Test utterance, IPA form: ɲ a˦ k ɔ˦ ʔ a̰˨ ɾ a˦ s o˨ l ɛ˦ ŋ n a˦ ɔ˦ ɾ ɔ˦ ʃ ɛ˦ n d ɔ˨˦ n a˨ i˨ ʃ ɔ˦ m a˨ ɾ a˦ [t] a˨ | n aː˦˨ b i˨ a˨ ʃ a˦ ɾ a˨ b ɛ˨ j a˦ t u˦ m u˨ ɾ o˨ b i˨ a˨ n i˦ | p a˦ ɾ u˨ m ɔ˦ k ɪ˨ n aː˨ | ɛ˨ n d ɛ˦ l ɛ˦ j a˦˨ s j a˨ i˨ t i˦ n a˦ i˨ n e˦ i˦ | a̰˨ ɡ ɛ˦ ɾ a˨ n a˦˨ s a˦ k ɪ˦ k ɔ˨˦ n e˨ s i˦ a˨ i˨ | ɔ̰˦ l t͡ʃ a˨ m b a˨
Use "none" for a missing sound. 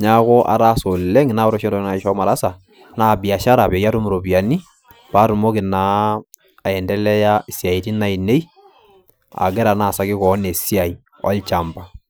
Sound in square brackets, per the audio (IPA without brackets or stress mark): s